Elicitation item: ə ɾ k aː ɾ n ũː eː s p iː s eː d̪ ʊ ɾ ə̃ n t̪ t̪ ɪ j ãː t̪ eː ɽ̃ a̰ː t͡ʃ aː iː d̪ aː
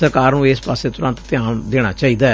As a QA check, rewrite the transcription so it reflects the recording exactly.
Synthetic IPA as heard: ə ɾ k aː ɾ n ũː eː s p aː s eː t̪ ʊ ɾ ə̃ n t̪ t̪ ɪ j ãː d̪ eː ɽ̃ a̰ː t͡ʃ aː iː d̪ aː